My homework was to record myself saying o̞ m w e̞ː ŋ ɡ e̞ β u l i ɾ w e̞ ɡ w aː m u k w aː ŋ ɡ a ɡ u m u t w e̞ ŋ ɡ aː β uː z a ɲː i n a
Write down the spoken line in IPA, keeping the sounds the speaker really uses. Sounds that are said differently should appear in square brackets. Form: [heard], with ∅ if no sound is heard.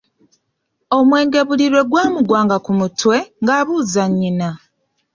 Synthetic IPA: o̞ m w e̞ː ŋ ɡ e̞ β u l i ɾ w e̞ ɡ w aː m u [ɡ] w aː ŋ ɡ a [k] u m u t w e̞ ŋ ɡ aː β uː z a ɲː i n a